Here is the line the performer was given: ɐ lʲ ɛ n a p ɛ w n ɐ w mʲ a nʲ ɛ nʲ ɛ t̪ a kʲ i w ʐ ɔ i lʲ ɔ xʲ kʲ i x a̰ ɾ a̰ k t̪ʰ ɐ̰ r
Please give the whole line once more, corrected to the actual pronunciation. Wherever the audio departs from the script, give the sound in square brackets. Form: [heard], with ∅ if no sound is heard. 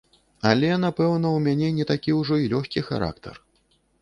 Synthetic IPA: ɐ lʲ ɛ n a p ɛ w n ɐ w mʲ a nʲ ɛ nʲ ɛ t̪ a kʲ i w ʐ ɔ i lʲ ɔ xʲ kʲ i x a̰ ɾ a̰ k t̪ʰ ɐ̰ r